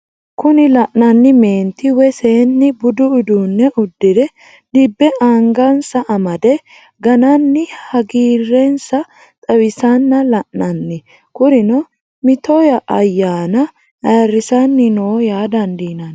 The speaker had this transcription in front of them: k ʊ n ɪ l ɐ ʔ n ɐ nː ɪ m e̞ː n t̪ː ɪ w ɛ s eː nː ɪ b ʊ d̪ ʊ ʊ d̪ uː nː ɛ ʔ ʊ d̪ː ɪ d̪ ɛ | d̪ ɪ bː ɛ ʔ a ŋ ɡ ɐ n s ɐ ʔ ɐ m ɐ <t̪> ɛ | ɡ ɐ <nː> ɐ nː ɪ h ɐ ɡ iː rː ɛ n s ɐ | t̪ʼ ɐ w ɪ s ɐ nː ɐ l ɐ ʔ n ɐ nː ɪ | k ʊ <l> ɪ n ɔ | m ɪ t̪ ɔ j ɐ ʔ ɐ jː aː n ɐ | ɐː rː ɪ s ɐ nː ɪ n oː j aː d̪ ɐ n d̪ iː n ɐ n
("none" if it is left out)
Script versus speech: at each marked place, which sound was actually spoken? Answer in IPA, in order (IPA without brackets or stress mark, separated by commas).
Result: d̪, n, ɾ